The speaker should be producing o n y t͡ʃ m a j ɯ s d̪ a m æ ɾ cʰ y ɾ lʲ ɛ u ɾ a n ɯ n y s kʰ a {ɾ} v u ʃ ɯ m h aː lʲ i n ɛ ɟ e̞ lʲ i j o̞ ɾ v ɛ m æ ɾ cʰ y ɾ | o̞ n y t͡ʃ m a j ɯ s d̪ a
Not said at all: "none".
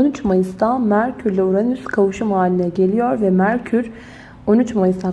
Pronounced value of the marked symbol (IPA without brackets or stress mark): none